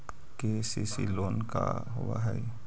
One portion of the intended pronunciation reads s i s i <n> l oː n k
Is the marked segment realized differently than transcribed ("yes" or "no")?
yes